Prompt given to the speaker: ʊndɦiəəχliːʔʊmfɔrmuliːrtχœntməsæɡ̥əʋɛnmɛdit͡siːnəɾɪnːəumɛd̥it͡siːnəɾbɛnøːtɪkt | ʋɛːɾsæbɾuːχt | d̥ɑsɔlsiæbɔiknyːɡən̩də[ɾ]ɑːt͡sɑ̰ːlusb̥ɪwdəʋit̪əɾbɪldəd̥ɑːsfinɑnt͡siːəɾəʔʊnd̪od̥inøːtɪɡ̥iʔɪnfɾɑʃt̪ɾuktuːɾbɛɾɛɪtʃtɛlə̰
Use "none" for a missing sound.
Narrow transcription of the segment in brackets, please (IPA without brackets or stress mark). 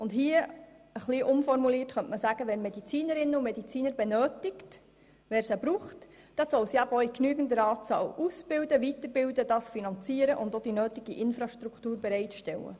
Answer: ɾ